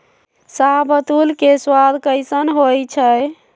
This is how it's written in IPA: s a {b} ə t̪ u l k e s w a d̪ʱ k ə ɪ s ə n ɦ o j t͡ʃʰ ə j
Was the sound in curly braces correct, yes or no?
yes